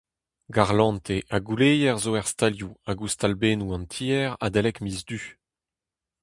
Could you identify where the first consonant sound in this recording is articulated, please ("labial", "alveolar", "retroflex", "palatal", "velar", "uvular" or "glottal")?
velar